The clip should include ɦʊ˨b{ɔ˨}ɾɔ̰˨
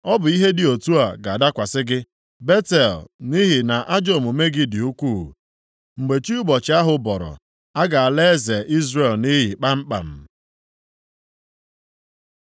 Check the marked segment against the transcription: correct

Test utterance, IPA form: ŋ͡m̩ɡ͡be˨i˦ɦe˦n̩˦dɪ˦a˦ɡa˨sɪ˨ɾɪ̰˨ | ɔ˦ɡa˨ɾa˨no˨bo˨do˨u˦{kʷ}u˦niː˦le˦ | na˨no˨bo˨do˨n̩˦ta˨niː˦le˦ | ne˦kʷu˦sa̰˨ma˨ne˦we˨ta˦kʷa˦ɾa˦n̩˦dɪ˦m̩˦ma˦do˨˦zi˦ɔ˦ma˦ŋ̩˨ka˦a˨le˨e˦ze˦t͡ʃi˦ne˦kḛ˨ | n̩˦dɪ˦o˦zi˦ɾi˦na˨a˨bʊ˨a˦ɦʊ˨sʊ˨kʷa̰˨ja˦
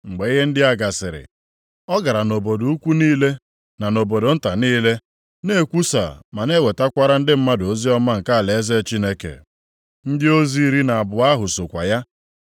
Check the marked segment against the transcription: correct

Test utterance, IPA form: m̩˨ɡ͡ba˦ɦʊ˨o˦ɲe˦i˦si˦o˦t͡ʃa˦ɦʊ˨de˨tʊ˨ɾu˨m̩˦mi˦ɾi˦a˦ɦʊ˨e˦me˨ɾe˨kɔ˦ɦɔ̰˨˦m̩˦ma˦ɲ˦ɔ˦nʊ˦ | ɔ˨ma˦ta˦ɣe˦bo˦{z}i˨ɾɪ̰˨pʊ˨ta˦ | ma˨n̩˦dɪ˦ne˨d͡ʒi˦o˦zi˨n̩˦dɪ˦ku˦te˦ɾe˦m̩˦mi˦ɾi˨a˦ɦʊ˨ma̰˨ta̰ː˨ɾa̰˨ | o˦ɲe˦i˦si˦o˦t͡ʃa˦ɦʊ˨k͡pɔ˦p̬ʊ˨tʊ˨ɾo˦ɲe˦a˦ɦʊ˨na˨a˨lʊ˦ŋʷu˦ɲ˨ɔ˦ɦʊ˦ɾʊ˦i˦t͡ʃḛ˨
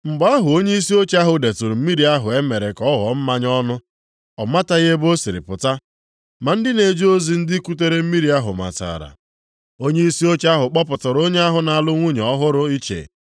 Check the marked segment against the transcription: incorrect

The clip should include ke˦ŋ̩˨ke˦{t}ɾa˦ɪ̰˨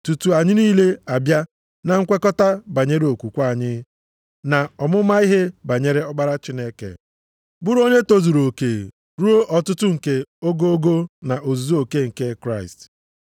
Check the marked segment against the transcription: incorrect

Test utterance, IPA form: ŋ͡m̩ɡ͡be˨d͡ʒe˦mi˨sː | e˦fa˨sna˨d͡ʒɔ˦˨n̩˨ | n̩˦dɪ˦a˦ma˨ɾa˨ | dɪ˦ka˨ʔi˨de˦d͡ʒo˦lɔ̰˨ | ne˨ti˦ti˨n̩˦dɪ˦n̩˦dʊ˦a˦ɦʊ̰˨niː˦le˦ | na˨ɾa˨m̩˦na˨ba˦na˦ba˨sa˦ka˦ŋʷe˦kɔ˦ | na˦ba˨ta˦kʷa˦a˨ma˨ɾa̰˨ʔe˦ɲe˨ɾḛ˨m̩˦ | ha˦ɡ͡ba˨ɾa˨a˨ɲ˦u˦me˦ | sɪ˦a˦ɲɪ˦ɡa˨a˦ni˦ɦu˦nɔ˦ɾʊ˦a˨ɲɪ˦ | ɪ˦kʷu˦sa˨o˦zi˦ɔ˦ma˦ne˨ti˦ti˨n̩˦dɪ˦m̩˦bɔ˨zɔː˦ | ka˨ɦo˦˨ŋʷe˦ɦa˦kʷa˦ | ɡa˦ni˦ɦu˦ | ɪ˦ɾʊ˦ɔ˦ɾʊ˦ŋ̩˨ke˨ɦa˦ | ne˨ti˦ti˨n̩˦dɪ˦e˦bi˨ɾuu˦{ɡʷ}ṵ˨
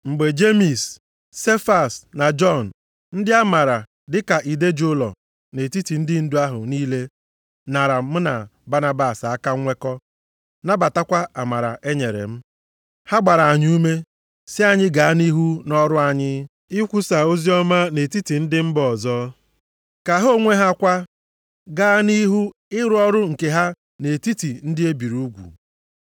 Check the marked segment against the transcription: correct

